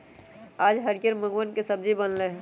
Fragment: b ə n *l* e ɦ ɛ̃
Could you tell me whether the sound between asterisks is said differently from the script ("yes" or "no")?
no